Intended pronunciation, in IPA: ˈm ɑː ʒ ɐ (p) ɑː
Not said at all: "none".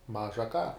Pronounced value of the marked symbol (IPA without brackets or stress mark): k